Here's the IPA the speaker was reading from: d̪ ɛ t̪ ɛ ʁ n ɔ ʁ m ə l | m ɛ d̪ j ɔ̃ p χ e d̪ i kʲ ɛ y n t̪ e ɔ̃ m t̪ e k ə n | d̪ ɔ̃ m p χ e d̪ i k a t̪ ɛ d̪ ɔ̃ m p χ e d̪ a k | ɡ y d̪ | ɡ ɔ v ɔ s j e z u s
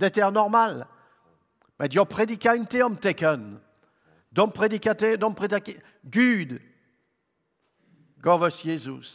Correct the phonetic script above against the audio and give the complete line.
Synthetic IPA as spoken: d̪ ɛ t̪ ɛ ʁ n ɔ ʁ m a l | m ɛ d̪ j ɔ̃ p χ e d̪ i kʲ a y n t̪ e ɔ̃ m t̪ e k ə n | d̪ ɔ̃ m p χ e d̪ i k a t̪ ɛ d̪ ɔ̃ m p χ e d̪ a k | ɡ y d̪ | ɡ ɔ v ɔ s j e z u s